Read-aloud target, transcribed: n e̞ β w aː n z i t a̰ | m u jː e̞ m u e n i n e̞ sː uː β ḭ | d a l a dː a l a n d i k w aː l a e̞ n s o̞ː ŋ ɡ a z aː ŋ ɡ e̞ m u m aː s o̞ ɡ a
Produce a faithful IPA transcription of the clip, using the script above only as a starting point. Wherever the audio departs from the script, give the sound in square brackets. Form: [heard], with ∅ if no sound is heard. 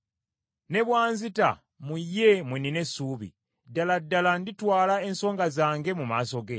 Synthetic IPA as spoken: n e̞ β w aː n z i t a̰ | m u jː e̞ m [w] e n i n e̞ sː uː β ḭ | d a l a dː a l a n d i [t] w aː l a e̞ n s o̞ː ŋ ɡ a z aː ŋ ɡ e̞ m u m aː s o̞ ɡ [e]